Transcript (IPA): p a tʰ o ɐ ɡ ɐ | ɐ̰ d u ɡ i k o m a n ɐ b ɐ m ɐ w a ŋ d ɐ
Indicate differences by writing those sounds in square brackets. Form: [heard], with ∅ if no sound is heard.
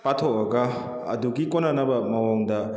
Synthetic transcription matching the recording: p a tʰ o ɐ ɡ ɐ | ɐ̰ d u ɡ i k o [n] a n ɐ b ɐ m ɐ w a ŋ d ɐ